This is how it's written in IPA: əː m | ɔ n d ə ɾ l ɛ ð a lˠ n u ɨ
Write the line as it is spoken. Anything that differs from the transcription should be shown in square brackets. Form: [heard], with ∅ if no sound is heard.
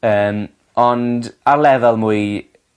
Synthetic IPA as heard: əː m | ɔ n d [a] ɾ l ɛ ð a lˠ [m] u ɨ

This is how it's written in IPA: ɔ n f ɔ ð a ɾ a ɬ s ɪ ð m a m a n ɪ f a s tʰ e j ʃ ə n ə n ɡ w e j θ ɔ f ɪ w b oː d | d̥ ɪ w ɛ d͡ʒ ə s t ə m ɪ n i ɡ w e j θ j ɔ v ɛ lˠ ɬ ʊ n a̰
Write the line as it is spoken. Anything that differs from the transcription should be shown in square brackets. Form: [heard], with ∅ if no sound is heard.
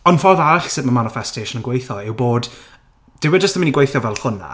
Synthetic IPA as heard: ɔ n f ɔ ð a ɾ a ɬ s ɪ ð m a m a n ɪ f [ɛ] s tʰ e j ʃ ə n ə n ɡ w e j θ ɔ [∅] ɪ w b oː d | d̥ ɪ w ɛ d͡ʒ ə s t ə m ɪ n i ɡ w e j θ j ɔ v ɛ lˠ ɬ ʊ n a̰

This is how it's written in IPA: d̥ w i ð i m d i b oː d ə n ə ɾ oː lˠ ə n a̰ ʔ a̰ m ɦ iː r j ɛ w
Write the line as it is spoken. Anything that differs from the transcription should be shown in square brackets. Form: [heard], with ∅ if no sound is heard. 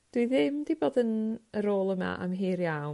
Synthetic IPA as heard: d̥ w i ð [ɪ] m d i b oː d ə n ə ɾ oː lˠ ə [m] a̰ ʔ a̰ m ɦ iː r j [a] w

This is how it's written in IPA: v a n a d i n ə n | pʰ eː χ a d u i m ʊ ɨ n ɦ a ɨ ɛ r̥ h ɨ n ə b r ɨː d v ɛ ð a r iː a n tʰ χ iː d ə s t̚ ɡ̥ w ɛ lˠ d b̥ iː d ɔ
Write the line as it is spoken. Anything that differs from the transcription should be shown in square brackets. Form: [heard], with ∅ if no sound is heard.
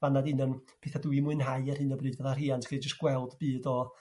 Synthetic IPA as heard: v a n a d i n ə n | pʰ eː [θ] a d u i m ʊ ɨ n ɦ a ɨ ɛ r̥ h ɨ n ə b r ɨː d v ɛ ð a r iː a n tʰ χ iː [d͡ʒ] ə s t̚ ɡ̥ w ɛ lˠ d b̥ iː d ɔ

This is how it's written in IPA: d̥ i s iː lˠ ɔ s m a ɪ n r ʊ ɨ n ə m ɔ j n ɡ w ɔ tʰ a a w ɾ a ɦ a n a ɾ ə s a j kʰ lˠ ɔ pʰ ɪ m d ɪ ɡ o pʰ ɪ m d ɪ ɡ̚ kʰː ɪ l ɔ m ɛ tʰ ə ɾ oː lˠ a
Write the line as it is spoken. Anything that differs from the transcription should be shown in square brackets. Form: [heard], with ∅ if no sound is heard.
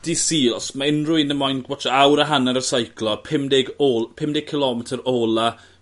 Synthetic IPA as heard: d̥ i s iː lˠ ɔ s m a ɪ n r ʊ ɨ n ə m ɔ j n ɡ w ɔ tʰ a a w ɾ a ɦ a n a ɾ ə s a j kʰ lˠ ɔ pʰ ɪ m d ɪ ɡ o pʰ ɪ m d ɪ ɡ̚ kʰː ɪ l ɔ m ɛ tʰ ə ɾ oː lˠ a

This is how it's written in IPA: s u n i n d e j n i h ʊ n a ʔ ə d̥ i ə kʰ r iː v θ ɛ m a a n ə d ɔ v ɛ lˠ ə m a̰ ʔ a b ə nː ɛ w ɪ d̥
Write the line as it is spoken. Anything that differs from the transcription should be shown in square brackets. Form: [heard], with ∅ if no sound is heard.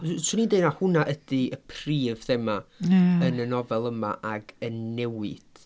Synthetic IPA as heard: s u n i n d e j n [a] h ʊ n a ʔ ə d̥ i ə [pʰ] r iː v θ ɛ m a [ə] n ə [n] ɔ v ɛ lˠ ə m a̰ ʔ a [ɡ] ə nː ɛ w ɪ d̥

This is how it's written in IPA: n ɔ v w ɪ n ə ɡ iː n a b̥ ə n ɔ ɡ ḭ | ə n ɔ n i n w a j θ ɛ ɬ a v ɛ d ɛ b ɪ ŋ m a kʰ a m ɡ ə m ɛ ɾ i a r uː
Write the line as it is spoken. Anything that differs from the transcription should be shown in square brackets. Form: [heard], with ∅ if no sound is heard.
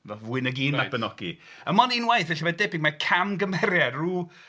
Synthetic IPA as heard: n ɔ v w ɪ n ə ɡ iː n a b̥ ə n ɔ ɡ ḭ | ə [m] ɔ n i n w a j θ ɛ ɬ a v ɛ d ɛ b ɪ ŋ m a kʰ a m ɡ ə m ɛ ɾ [j] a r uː

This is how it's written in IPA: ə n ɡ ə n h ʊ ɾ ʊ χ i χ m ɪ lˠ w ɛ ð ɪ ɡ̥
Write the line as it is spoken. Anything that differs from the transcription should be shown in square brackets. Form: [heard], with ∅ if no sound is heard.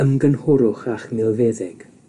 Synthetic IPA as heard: ə [m] ɡ ə n h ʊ ɾ ʊ χ [a] χ m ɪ lˠ [v] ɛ ð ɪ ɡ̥

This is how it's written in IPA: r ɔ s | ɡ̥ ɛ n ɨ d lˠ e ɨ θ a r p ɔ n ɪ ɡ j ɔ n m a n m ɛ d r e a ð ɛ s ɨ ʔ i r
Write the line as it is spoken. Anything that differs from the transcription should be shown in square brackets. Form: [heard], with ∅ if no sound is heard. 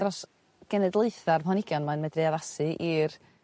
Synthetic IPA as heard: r ɔ s | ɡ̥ ɛ n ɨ d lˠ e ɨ θ a r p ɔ n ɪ ɡ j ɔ n m a n m ɛ d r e a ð [a] s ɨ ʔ i r

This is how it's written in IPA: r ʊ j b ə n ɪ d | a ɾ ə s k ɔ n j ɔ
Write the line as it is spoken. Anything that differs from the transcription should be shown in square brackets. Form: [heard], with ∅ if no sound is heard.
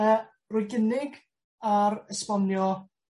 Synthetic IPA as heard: r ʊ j [ɡ] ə n ɪ [ɡ] | a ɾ ə s [p] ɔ n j ɔ

